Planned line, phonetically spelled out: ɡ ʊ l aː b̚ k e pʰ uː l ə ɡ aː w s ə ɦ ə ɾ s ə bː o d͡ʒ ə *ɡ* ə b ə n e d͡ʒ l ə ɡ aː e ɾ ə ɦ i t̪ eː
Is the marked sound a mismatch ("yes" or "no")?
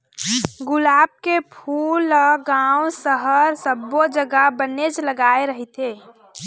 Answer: no